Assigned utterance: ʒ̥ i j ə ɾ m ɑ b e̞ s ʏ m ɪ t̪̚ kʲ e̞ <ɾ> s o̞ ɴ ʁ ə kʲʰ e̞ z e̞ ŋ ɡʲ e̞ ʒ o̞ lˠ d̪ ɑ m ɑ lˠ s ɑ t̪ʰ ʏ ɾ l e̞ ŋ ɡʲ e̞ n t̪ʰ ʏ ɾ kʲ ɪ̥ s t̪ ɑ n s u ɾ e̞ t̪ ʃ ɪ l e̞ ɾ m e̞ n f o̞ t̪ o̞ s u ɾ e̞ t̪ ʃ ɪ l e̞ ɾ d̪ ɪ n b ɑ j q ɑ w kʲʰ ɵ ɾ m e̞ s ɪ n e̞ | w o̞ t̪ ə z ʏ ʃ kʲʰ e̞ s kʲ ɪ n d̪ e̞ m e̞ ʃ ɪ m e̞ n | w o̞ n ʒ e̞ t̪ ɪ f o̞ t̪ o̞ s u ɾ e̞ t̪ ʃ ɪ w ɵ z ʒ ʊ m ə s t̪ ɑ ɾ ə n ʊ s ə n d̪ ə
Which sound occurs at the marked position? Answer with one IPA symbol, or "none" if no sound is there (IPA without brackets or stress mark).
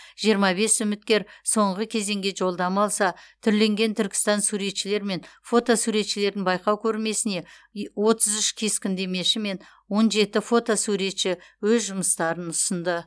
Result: ɾ